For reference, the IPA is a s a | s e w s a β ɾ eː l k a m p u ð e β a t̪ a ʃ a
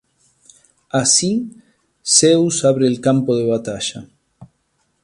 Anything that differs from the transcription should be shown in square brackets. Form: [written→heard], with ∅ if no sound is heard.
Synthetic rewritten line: a s [a→i] | s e w s a β ɾ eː l k a m p [u→o] ð e β a t̪ a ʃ a